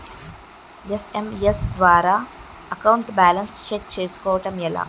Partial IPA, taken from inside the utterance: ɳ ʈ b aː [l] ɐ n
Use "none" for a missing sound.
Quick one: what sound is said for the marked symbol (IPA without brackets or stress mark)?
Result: l